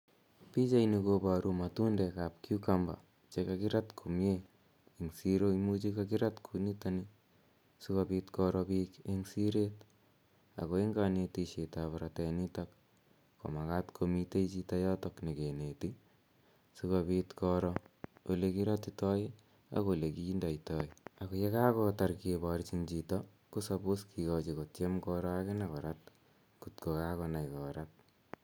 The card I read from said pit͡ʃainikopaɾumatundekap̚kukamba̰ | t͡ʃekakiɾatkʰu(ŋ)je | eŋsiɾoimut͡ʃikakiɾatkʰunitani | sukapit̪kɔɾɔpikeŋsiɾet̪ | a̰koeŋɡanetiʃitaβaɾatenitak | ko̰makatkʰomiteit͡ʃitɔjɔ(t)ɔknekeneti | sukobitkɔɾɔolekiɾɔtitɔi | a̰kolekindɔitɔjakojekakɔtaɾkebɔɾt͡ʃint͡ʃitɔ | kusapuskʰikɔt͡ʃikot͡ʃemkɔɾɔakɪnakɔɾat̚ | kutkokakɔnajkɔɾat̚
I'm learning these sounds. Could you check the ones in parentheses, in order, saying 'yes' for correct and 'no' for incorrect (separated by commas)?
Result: no, yes